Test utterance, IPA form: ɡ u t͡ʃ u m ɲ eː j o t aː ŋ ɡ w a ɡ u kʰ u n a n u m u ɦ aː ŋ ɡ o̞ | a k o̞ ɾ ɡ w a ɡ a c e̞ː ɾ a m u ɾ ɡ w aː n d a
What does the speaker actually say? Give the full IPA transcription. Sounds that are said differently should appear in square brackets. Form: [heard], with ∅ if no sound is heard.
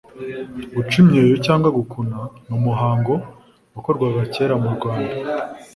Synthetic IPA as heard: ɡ u t͡ʃ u m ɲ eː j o [c] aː ŋ ɡ w a ɡ u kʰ u n a n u m u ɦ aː ŋ ɡ o̞ | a k o̞ ɾ ɡ w a ɡ a c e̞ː ɾ a m u ɾ ɡ w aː n d a